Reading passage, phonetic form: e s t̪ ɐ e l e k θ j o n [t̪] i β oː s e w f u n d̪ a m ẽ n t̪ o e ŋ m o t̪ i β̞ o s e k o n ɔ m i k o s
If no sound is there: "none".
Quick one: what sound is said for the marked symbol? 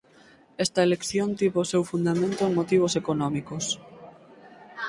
t̪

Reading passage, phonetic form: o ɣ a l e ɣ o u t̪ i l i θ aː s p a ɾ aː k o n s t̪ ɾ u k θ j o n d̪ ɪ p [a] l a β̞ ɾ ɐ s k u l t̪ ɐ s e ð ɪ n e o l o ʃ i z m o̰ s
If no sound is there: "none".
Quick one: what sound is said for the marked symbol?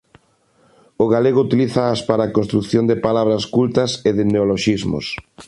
a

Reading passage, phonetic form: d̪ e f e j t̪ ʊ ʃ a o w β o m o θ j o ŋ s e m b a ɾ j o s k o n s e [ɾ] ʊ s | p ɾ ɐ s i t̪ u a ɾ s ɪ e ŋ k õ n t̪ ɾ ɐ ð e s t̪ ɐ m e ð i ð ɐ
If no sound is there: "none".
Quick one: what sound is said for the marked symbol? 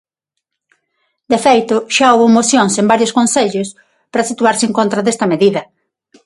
ʎ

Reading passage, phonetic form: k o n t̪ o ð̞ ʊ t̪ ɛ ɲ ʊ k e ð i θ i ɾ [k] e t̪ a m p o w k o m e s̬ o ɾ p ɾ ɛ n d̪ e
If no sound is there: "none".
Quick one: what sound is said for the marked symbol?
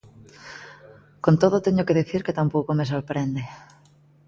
k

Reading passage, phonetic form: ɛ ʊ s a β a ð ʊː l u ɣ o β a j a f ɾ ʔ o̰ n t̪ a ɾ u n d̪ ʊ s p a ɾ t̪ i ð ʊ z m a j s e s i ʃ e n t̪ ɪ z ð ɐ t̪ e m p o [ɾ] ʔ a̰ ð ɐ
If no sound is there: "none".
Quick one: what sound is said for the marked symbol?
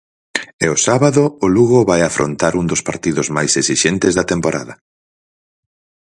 ɾ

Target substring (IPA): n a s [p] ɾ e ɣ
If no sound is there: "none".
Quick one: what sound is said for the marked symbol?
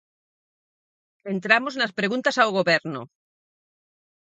p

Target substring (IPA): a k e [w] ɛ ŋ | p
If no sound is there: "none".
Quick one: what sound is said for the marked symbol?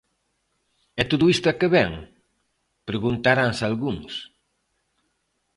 β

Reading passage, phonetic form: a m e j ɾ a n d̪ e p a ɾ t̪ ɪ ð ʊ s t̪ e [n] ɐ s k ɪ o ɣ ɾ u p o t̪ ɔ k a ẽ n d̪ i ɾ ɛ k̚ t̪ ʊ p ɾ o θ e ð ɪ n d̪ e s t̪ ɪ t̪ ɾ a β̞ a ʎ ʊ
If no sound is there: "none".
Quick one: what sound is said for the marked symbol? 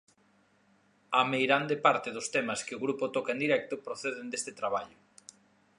m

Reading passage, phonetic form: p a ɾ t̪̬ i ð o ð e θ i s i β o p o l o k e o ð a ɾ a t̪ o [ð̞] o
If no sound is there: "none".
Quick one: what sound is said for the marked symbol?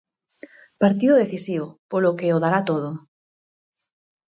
ð̞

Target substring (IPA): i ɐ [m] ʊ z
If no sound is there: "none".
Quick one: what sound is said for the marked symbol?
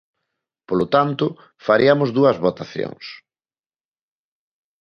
m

